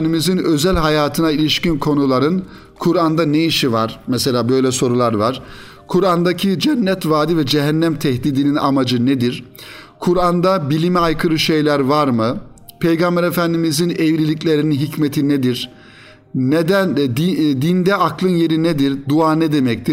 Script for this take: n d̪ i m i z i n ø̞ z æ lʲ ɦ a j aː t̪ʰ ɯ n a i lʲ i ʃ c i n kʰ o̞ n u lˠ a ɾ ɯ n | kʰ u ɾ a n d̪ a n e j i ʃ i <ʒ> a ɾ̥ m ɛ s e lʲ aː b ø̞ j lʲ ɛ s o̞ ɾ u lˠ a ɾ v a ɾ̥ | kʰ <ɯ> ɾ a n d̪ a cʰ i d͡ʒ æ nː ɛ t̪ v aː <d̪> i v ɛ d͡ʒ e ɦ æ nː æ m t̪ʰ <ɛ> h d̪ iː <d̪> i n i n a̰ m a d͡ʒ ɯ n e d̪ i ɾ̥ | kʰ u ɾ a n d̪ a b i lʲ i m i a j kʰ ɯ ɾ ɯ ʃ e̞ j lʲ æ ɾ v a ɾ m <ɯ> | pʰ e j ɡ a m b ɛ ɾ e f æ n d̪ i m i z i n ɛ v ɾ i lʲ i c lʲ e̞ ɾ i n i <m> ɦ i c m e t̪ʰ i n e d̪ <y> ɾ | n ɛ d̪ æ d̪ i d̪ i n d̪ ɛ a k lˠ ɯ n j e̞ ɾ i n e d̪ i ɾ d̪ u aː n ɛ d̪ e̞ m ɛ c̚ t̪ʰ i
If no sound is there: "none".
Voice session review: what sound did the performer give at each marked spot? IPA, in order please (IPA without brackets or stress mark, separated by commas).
v, u, d̪, ɛ, d̪, ɯ, n, i